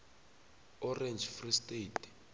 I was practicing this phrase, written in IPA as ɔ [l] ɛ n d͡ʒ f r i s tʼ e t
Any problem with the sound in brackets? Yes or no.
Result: yes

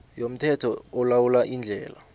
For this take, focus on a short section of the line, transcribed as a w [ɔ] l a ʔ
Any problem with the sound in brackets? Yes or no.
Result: yes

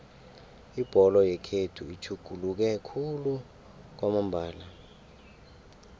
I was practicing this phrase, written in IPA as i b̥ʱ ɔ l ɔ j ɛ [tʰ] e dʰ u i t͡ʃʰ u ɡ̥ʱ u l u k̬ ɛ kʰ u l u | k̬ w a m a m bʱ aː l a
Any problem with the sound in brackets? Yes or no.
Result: yes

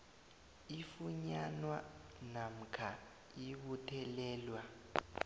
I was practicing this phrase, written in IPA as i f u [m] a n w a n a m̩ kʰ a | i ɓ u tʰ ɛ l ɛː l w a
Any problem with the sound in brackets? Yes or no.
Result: yes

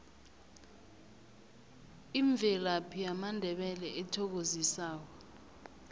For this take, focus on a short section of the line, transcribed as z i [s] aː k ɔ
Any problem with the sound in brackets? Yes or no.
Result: no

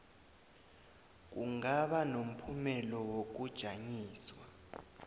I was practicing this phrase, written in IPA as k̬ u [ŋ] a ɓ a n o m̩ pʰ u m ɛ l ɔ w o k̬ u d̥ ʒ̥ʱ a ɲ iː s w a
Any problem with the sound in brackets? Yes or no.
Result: no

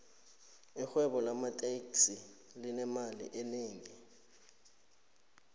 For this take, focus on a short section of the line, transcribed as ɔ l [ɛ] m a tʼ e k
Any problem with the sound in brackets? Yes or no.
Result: yes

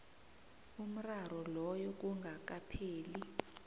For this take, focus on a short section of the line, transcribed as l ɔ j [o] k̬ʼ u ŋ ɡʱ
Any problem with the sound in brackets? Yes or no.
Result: yes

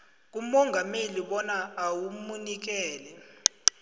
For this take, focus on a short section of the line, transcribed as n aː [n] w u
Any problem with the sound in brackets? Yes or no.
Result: yes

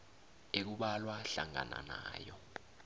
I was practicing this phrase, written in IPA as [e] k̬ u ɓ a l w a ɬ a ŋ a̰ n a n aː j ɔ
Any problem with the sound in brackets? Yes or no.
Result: no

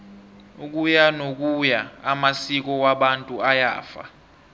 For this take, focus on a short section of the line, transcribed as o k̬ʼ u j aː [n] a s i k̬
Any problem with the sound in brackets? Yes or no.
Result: yes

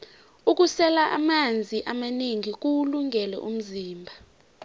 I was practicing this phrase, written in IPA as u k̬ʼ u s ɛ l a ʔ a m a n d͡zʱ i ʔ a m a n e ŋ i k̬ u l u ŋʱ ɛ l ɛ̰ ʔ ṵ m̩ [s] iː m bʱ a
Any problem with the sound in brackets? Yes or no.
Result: yes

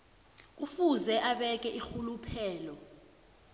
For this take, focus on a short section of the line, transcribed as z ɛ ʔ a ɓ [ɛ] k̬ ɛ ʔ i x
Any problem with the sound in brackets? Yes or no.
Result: no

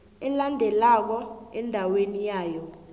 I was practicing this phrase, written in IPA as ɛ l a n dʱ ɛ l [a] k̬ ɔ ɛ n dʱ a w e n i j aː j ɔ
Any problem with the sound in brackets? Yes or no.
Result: no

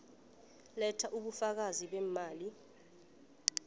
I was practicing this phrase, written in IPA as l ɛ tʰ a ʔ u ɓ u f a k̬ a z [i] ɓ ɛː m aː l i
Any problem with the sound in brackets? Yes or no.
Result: no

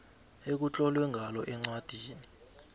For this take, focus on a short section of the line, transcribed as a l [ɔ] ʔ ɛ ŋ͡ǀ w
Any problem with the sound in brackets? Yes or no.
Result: no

